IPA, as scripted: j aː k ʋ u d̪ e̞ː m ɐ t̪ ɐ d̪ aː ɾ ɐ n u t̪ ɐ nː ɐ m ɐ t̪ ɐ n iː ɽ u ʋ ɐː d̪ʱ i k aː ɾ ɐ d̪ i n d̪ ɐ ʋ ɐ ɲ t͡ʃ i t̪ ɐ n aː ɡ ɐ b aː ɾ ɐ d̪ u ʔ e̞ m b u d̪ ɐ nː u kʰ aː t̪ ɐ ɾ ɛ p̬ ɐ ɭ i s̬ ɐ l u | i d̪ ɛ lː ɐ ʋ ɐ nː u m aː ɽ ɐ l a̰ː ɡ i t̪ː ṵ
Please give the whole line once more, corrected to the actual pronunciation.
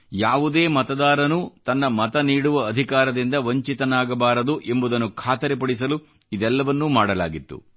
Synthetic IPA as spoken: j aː ʋ u d̪ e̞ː m ɐ t̪ ɐ d̪ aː ɾ ɐ n u t̪ ɐ nː ɐ m ɐ t̪ ɐ n iː ɽ u ʋ ɐː d̪ʱ i k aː ɾ ɐ d̪ i n d̪ ɐ ʋ ɐ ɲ t͡ʃ i t̪ ɐ n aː ɡ ɐ b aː ɾ ɐ d̪ u ʔ e̞ m b u d̪ ɐ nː u kʰ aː t̪ ɐ ɾ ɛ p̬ ɐ ɽ i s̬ ɐ l u | i d̪ ɛ lː ɐ ʋ ɐ nː u m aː ɽ ɐ l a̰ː ɡ i t̪ː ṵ